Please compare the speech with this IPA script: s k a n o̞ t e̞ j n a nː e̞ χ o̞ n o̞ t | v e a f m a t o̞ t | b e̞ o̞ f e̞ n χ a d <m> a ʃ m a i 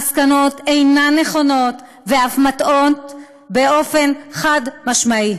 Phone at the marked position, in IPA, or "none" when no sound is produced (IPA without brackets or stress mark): m